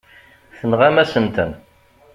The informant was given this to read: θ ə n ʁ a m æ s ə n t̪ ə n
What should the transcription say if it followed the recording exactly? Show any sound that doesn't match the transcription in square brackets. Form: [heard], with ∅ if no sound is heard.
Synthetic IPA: θ ə n ʁ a m æ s ə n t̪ ə n